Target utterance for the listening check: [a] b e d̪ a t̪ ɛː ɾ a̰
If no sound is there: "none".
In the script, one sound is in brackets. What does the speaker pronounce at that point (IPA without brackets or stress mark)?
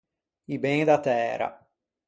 i